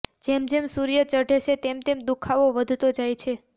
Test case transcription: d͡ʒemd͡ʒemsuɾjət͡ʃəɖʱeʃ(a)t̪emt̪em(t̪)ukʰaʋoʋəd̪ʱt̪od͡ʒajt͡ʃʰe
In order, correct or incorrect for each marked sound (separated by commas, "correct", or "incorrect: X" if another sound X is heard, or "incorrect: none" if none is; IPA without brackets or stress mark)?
incorrect: e, incorrect: d̪